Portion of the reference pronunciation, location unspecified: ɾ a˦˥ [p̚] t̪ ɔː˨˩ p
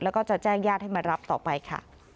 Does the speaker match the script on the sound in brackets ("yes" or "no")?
yes